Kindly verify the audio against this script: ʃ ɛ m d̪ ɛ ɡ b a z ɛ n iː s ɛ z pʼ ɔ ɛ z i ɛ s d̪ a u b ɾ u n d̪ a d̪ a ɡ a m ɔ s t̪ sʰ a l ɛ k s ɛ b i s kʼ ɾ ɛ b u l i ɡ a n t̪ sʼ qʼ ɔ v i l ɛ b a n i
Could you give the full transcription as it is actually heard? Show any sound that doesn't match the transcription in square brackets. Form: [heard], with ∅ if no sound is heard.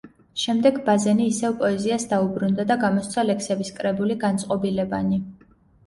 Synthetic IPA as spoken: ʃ ɛ m d̪ ɛ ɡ b a z ɛ n iː s ɛ [v] pʼ ɔ ɛ z i [a] s d̪ a u b ɾ u n d̪ a d̪ a ɡ a m ɔ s t̪ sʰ a l ɛ k s ɛ b i s kʼ ɾ ɛ b u l i ɡ a n t̪ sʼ qʼ ɔ [b] i l ɛ b a n i